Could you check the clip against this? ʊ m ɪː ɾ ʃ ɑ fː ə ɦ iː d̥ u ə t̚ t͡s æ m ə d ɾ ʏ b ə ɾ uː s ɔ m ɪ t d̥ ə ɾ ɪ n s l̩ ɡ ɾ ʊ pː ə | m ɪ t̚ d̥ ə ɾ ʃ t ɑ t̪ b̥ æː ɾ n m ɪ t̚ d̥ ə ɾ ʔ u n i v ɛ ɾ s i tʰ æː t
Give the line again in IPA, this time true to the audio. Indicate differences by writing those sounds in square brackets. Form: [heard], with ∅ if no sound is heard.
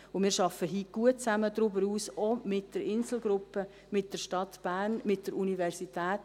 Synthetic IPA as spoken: ʊ m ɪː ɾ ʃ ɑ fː ə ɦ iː [ɡ̥] u ə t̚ t͡s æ m ə d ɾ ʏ b ə ɾ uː s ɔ m ɪ t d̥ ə ɾ ɪ n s l̩ ɡ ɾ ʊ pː ə | m ɪ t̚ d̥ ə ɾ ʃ t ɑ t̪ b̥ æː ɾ n m ɪ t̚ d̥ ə ɾ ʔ u n i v ɛ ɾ s i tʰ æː t